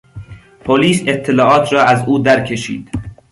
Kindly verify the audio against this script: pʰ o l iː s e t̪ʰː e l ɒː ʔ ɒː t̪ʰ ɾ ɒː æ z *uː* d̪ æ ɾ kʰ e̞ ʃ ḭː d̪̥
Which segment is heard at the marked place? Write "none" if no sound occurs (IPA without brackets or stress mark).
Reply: uː